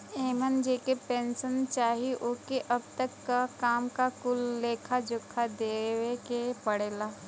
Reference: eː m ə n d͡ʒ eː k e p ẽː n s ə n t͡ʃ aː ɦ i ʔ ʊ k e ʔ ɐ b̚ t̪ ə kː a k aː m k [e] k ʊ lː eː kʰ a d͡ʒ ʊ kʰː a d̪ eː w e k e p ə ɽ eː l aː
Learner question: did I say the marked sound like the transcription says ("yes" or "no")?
no